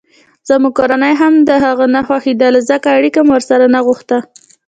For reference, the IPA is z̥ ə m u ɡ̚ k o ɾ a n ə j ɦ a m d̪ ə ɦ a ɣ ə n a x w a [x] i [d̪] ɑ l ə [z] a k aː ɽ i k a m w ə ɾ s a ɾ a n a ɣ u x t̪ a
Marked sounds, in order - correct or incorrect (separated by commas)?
correct, correct, correct